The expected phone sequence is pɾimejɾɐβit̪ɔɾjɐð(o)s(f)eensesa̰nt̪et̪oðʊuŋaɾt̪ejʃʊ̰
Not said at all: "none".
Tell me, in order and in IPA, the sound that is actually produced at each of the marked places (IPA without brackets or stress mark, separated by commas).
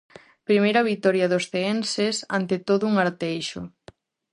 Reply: o, θ